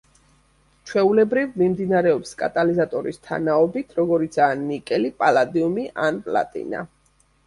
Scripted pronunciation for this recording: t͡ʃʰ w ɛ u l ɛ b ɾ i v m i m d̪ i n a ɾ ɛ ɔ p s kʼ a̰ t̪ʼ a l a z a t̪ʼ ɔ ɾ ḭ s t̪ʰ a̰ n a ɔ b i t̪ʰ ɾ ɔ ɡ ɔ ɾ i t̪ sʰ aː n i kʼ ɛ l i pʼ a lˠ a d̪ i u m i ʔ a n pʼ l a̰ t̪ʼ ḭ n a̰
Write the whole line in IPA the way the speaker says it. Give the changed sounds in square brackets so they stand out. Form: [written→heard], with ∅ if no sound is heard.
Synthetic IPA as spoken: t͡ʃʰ w ɛ u l ɛ b ɾ i v m i m d̪ i n a ɾ ɛ ɔ p s kʼ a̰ t̪ʼ a l [a→i] z a t̪ʼ ɔ ɾ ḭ s t̪ʰ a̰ n a ɔ b i t̪ʰ ɾ ɔ ɡ ɔ ɾ i t̪ sʰ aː n i kʼ ɛ l i pʼ a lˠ a d̪ i u m i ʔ a n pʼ l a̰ t̪ʼ ḭ n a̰